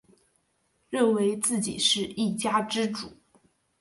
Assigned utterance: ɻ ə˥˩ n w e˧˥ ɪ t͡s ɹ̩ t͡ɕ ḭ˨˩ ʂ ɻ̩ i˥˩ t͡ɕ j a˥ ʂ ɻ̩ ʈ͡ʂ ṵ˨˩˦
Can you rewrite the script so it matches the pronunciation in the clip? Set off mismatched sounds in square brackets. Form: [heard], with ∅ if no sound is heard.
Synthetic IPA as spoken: ɻ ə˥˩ n w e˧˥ ɪ t͡s ɹ̩ t͡ɕ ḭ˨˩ ʂ ɻ̩ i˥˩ t͡ɕ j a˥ [ʈ͡ʂ] ɻ̩ ʈ͡ʂ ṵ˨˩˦